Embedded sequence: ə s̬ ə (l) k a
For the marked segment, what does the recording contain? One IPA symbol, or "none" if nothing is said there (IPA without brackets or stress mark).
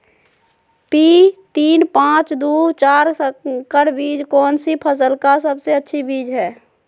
l